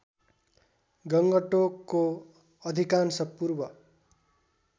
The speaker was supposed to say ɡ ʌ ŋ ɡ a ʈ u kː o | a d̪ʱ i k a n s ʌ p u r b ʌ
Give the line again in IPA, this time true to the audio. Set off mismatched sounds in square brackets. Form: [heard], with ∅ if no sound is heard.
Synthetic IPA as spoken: ɡ ʌ ŋ ɡ [ʌ] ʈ [o] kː o | [ʌ] d̪ʱ i k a n s ʌ p u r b ʌ